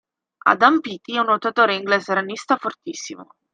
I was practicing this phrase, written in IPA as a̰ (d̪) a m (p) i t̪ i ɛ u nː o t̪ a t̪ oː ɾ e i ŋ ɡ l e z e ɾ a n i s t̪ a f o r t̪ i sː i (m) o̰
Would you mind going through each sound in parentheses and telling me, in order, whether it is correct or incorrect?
correct, correct, correct

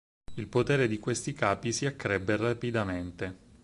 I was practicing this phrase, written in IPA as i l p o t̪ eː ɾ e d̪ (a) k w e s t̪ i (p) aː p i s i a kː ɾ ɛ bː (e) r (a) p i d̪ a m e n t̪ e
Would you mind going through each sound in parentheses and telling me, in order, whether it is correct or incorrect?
incorrect: i, incorrect: k, correct, correct

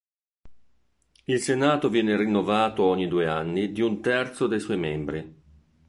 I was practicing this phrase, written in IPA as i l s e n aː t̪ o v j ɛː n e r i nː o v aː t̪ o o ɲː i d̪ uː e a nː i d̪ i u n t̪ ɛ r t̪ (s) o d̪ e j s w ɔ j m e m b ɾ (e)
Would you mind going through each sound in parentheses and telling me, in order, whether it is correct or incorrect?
correct, incorrect: i

